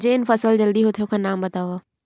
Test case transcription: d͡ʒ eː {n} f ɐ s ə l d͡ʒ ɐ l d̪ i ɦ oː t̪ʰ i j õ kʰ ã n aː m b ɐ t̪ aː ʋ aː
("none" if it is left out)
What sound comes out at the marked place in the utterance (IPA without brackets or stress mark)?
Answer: n